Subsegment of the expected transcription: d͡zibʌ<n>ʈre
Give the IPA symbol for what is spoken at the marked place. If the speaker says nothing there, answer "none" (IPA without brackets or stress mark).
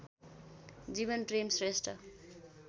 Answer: n